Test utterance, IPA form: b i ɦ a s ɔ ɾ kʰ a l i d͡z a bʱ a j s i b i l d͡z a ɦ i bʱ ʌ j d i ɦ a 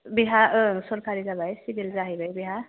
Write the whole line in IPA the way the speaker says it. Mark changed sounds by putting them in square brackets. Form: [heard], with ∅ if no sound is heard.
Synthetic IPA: b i ɦ a s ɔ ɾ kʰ a [ɾ] i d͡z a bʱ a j s i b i l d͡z a ɦ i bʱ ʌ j [b] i ɦ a